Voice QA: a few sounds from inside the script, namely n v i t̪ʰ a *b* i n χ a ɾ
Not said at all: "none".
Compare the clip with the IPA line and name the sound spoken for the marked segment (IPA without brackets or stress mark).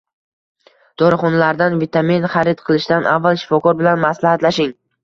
m